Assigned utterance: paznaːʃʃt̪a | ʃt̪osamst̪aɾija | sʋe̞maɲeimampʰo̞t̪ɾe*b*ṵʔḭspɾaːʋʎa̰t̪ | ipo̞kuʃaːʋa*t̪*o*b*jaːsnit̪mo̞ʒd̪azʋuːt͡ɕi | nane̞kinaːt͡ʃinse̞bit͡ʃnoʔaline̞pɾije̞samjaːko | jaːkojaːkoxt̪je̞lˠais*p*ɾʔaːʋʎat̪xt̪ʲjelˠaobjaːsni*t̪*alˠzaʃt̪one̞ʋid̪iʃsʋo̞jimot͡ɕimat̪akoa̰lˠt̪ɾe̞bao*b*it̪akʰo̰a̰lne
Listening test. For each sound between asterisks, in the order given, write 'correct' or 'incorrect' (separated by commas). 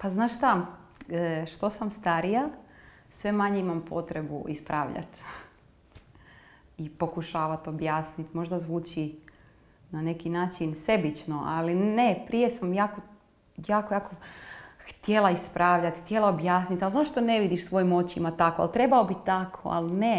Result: correct, correct, correct, correct, correct, correct